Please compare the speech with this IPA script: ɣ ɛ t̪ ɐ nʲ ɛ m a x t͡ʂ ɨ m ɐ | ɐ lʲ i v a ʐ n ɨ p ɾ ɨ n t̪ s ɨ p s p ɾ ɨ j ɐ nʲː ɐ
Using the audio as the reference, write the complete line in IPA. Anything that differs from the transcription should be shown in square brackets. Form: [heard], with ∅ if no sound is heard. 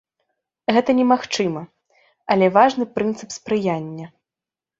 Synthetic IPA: ɣ ɛ t̪ ɐ nʲ ɛ m a x t͡ʂ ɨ m ɐ | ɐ lʲ [ɛ] v a ʐ n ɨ p ɾ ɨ n t̪ s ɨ p s p ɾ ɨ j [a] nʲː ɐ